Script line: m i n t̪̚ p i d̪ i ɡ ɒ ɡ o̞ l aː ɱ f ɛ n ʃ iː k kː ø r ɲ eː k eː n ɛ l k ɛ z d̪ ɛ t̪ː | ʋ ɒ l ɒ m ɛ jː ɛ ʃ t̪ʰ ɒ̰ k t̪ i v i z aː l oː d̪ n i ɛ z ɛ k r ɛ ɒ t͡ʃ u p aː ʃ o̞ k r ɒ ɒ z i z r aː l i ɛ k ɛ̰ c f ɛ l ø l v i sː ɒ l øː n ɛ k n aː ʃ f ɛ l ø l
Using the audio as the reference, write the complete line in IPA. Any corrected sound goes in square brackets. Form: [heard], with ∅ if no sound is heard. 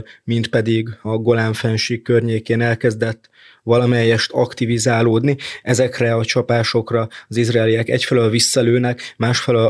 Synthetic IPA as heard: m i n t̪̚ p [ɛ] d̪ i ɡ ɒ ɡ o̞ l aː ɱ f ɛ n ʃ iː k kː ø r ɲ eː k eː n ɛ l k ɛ z d̪ ɛ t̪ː | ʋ ɒ l ɒ m ɛ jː ɛ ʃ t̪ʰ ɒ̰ k t̪ i v i z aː l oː d̪ n i ɛ z ɛ k r ɛ ɒ t͡ʃ [ɒ] p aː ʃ o̞ k r ɒ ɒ z i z r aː l i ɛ k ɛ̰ c f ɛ l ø l v i sː ɒ l øː n ɛ k [m] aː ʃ f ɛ l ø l